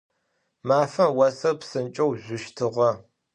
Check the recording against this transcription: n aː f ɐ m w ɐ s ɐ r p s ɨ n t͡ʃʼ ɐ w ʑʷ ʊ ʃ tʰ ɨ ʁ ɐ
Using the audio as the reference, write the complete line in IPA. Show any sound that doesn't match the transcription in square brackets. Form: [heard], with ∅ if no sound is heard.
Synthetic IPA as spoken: [m] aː f ɐ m w ɐ s ɐ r p s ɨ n t͡ʃʼ ɐ w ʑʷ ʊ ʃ tʰ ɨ ʁ ɐ